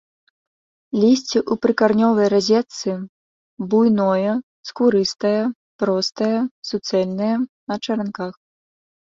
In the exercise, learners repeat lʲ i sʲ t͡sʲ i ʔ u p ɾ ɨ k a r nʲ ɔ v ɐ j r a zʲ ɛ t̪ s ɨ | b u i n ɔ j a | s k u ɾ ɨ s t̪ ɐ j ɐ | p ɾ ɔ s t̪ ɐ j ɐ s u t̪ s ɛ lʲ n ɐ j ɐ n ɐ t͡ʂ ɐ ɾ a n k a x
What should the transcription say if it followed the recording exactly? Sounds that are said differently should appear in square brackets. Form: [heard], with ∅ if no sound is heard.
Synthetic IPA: lʲ i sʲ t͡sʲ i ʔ u p ɾ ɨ k a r nʲ ɔ v ɐ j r a zʲ ɛ t̪ s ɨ | b u [j] n ɔ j [ɐ] | s k u ɾ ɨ s t̪ ɐ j ɐ | p ɾ ɔ s t̪ ɐ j ɐ s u t̪ s ɛ lʲ n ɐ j ɐ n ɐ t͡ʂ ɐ ɾ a n k a x